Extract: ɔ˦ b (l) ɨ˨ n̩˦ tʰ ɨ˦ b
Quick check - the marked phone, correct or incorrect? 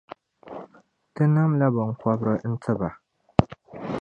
incorrect